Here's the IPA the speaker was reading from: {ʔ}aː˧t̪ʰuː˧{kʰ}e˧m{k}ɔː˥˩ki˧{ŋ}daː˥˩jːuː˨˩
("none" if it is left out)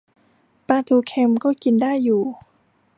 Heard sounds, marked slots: p, kʰ, k, n

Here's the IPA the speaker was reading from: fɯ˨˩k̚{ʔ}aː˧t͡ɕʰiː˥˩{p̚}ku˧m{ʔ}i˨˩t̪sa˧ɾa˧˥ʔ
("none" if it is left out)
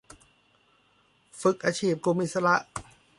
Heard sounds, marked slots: ʔ, p̚, ʔ

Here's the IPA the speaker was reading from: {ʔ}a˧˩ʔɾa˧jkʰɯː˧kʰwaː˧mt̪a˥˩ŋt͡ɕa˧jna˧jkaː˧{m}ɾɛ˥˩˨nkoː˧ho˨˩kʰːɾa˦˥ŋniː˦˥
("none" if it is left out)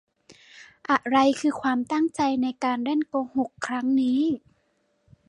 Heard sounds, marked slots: ʔ, n

